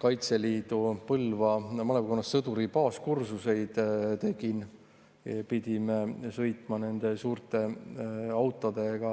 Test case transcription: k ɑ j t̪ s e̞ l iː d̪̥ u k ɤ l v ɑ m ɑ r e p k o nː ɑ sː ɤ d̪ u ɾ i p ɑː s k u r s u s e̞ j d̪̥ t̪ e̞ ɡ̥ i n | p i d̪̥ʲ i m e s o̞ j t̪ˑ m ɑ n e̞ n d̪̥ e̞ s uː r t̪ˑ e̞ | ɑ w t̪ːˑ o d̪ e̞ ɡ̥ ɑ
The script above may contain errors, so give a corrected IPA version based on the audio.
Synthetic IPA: k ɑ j t̪ s e̞ l iː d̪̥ u p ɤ l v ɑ m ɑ l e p k o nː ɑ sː ɤ d̪ u ɾ i p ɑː s k u r s u s e̞ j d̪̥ t̪ e̞ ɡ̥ i n | p i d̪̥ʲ i m e s ɤ̞ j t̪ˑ m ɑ n e̞ n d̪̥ e̞ s uː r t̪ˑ e̞ | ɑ w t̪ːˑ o d̪ e̞ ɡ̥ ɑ